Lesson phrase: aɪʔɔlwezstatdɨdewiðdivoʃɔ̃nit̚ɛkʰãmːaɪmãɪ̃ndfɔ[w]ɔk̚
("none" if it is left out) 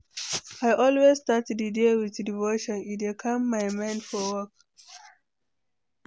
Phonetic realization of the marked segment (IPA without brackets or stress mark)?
w